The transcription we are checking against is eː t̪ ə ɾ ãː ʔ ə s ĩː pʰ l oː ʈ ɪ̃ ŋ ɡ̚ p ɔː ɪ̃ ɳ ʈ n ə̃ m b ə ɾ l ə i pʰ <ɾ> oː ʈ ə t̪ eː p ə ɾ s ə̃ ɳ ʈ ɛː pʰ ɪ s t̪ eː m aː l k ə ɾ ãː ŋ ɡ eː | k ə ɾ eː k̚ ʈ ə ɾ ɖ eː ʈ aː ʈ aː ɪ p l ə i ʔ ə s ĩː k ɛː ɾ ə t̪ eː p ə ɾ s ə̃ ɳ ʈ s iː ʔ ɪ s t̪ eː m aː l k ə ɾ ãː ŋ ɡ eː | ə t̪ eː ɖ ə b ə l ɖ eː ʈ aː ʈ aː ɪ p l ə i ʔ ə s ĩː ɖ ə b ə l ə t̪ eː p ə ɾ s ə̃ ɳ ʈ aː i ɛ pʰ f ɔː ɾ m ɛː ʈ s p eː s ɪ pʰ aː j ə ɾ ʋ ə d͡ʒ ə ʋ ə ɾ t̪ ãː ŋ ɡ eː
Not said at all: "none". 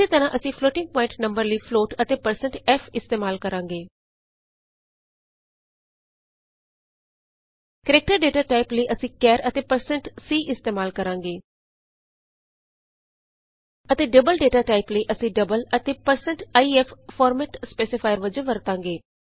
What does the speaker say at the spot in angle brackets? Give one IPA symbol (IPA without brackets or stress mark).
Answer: l